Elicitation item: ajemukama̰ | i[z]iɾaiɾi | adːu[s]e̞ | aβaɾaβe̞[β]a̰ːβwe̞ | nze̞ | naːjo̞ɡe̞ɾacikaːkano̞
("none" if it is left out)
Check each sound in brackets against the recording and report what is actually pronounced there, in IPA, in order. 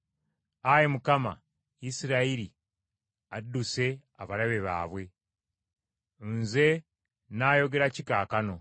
s, s, β

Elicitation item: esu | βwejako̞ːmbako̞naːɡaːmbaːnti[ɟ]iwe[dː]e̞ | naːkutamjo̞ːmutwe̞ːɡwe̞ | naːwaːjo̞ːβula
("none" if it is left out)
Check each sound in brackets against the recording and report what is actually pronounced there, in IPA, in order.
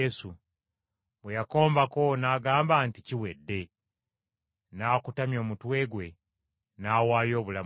c, dː

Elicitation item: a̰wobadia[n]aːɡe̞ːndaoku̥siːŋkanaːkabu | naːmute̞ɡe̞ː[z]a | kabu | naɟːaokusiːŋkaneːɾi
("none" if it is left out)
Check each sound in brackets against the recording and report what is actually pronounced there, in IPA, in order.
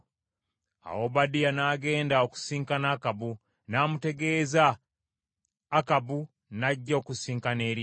n, z

